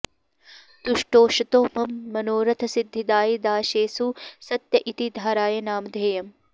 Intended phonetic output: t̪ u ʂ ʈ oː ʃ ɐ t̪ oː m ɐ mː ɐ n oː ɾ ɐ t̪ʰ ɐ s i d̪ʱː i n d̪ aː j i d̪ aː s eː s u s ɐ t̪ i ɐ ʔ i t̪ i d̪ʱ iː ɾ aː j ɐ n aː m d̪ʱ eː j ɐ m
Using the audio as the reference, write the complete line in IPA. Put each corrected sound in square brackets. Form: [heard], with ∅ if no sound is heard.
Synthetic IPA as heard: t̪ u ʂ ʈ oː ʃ ɐ t̪ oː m ɐ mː ɐ n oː ɾ ɐ t̪ʰ ɐ s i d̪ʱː i [∅] d̪ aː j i d̪ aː [ʃ] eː s u s ɐ t̪ [j] ɐ ʔ i t̪ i d̪ʱ [aː] ɾ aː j ɐ n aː m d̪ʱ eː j ɐ m